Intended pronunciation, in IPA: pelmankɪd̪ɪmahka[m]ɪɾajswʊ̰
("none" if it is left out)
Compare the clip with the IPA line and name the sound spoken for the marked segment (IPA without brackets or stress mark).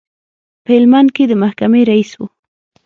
m